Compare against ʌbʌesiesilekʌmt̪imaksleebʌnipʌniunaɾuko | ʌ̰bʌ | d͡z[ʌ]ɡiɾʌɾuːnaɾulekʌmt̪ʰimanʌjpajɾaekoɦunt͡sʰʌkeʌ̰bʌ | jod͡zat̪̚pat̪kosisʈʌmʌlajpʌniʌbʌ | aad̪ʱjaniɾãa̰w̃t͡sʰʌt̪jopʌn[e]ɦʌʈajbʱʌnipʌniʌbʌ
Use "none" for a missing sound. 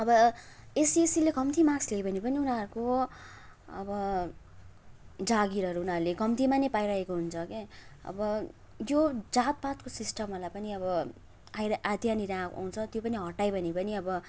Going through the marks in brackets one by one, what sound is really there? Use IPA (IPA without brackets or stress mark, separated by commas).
a, i